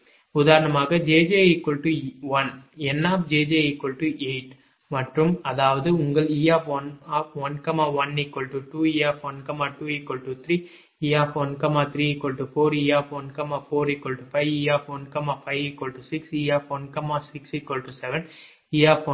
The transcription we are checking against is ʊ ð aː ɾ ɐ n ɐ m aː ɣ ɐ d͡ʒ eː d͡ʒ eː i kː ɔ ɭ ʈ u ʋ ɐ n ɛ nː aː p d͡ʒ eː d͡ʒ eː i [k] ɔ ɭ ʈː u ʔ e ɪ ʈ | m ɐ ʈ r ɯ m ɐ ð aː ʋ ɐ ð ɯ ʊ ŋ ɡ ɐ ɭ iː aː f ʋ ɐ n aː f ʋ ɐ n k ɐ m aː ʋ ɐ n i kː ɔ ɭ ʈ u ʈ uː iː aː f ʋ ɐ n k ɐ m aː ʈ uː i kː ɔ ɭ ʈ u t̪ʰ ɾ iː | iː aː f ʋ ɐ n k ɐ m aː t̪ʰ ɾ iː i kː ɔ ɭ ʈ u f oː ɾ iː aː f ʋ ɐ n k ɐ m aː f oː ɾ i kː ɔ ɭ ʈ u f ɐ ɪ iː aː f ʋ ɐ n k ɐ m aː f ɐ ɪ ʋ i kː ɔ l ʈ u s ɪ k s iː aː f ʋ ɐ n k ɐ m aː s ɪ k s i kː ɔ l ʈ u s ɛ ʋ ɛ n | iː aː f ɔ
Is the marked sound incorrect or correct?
correct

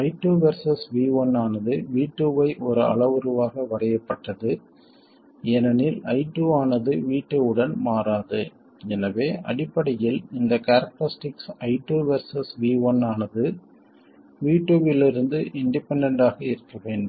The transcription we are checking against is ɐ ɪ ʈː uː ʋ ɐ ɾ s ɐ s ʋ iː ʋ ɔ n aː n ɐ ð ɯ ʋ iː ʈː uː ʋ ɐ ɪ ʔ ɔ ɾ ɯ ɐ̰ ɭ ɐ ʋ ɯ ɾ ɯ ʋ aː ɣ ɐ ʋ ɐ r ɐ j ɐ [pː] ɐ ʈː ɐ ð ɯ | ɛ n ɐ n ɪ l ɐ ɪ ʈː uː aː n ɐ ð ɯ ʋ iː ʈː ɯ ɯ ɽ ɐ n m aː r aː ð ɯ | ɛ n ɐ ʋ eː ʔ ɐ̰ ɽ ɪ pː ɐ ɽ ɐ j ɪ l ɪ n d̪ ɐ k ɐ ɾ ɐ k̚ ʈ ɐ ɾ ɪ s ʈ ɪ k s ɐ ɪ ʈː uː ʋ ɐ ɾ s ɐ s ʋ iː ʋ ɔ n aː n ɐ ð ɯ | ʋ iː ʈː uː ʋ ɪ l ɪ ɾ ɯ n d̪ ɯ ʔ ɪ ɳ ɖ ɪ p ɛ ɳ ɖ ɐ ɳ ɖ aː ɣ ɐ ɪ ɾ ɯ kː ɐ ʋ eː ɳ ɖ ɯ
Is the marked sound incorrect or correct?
correct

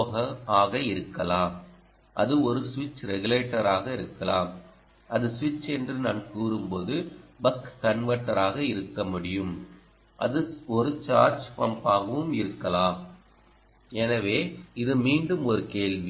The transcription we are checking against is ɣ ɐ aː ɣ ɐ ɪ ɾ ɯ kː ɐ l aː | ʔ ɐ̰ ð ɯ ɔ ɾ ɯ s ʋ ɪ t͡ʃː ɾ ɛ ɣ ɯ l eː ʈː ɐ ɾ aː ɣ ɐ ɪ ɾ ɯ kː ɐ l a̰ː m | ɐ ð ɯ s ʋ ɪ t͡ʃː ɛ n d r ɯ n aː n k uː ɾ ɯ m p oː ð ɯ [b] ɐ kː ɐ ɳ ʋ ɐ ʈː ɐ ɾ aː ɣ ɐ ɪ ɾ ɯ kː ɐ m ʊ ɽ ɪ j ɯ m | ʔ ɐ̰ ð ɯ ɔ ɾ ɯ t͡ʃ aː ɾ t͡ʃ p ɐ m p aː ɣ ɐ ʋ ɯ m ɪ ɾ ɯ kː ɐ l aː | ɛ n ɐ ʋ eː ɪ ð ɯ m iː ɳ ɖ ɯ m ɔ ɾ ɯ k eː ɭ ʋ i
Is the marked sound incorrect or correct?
correct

